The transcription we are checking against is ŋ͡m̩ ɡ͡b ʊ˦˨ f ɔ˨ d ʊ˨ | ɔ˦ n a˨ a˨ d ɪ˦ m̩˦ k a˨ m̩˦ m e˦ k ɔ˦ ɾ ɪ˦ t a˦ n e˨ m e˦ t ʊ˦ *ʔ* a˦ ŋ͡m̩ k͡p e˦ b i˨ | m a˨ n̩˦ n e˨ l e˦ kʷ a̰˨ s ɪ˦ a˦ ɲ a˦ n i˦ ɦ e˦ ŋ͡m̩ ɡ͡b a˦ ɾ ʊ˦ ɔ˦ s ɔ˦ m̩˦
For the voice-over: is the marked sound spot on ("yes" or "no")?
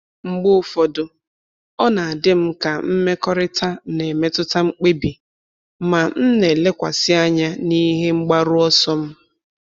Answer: no